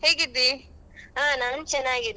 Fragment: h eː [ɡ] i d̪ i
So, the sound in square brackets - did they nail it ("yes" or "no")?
yes